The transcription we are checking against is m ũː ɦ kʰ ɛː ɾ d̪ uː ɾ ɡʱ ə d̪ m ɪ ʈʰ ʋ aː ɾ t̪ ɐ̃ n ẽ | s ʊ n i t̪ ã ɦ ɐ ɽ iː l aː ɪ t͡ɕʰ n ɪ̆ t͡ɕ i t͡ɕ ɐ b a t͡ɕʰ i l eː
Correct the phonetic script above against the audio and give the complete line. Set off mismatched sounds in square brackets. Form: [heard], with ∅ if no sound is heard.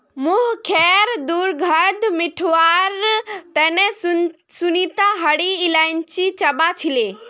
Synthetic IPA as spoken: m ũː ɦ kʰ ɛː ɾ d̪ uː ɾ ɡʱ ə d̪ m ɪ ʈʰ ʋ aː ɾ t̪ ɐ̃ n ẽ | s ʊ n i t̪ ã ɦ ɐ ɽ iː l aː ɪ [∅] n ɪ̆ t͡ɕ i t͡ɕ ɐ b a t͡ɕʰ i l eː